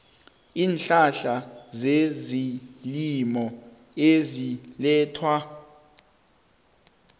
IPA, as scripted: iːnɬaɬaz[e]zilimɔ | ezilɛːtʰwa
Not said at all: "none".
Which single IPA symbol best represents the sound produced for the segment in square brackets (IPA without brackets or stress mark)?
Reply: e